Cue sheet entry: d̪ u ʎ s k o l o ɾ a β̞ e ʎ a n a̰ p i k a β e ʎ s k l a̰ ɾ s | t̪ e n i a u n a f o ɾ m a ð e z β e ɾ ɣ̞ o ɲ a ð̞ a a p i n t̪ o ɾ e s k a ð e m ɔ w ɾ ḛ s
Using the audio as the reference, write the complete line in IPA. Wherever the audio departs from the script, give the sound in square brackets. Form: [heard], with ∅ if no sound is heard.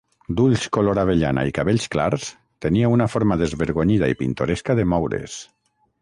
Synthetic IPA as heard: d̪ u ʎ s k o l o ɾ a β̞ e ʎ a n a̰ [∅] i k a β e ʎ s k l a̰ ɾ s | t̪ e n i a u n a f o ɾ m a ð e z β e ɾ ɣ̞ o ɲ [i] ð̞ a [i] p i n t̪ o ɾ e s k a ð e m ɔ w ɾ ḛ s